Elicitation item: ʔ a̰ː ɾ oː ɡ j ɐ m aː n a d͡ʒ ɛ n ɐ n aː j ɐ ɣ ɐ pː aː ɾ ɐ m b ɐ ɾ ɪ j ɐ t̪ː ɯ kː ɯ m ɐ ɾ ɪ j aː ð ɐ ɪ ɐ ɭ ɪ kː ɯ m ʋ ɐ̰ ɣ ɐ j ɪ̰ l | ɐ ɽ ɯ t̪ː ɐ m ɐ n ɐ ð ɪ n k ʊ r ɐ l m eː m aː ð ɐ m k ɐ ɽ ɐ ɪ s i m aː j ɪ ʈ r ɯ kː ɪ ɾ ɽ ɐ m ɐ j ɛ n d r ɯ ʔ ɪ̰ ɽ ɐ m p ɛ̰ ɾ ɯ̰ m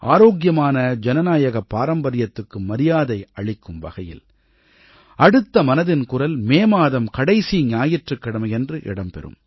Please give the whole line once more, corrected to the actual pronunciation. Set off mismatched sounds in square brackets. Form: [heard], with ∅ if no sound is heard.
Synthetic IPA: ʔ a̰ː ɾ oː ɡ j ɐ m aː n [ɐ] d͡ʒ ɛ n ɐ n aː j ɐ ɣ ɐ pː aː ɾ ɐ m b ɐ ɾ ɪ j ɐ t̪ː ɯ kː ɯ m ɐ ɾ ɪ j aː ð ɐ ɪ ɐ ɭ ɪ kː ɯ m ʋ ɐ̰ ɣ ɐ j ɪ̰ l | ɐ ɽ ɯ t̪ː ɐ m ɐ n ɐ ð ɪ n k ʊ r ɐ l m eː m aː ð ɐ m k ɐ ɽ ɐ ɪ s i [ɲ] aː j ɪ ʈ r ɯ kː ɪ [∅] ɽ ɐ m ɐ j ɛ n d r ɯ ʔ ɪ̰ ɽ ɐ m p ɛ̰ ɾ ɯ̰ m

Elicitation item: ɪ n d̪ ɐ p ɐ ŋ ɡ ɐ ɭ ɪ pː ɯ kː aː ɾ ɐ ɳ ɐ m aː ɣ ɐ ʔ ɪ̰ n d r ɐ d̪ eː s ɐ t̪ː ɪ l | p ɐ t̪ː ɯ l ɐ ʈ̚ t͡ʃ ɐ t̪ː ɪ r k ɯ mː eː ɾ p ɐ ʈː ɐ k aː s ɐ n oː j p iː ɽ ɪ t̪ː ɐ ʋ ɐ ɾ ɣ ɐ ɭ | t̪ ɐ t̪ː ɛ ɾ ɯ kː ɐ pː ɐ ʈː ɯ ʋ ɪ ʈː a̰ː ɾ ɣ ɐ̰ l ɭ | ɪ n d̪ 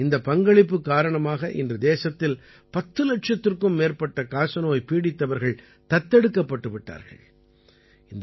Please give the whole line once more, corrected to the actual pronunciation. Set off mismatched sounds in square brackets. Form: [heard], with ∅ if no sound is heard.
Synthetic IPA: ɪ n d̪ ɐ p ɐ ŋ ɡ ɐ ɭ ɪ pː ɯ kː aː ɾ ɐ ɳ ɐ m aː ɣ ɐ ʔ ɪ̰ n d r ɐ d̪ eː s ɐ t̪ː ɪ l | p ɐ t̪ː ɯ l ɐ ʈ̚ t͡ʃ ɐ t̪ː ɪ r k ɯ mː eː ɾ p ɐ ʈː ɐ k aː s ɐ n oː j p iː ɽ ɪ t̪ː ɐ ʋ ɐ ɾ ɣ ɐ ɭ | t̪ ɐ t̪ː ɛ [ɽ] ɯ kː ɐ pː ɐ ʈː ɯ ʋ ɪ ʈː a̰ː ɾ ɣ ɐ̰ [∅] ɭ | ɪ n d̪

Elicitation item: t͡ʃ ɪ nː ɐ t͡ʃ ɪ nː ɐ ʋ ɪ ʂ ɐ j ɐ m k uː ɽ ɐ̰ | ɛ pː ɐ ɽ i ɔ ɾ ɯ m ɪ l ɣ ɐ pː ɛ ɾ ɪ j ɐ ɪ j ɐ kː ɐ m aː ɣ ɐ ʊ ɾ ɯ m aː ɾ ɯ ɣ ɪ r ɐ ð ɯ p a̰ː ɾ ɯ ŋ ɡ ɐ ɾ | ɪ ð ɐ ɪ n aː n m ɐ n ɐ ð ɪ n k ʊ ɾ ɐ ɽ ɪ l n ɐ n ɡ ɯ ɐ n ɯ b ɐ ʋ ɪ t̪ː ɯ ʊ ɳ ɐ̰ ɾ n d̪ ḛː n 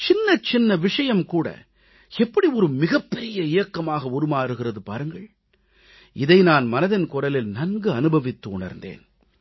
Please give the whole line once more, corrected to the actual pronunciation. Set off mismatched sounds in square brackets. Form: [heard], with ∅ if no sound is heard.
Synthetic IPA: t͡ʃ ɪ nː ɐ t͡ʃ ɪ nː ɐ ʋ ɪ ʂ ɐ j ɐ m k uː ɽ ɐ̰ | ɛ pː ɐ ɽ i ɔ ɾ ɯ m ɪ [∅] ɣ ɐ pː ɛ ɾ ɪ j ɐ ɪ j ɐ kː ɐ m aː ɣ ɐ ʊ ɾ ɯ m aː ɾ ɯ ɣ ɪ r ɐ ð ɯ p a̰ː ɾ ɯ ŋ ɡ ɐ [ɭ] | ɪ ð ɐ ɪ n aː n m ɐ n ɐ ð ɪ n k ʊ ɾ ɐ [l] ɪ l n ɐ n ɡ ɯ ɐ n ɯ b ɐ ʋ ɪ t̪ː ɯ ʊ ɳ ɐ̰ ɾ n d̪ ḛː n

